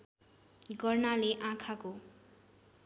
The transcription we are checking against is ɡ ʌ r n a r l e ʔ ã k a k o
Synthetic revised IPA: ɡ ʌ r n a l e ʔ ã kʰ a k o